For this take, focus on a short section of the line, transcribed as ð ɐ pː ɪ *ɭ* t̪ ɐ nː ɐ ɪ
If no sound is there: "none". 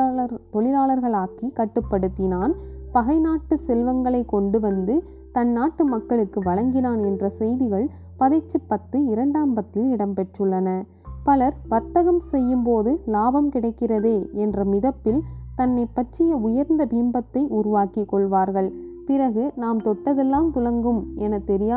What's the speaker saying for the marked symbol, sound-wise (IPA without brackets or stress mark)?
l